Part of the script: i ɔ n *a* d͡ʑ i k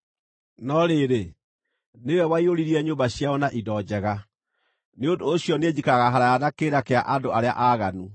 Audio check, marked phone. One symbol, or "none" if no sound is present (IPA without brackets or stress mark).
e